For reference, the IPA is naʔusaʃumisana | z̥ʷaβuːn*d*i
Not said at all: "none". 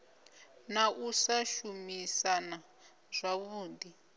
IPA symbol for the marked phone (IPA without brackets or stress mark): d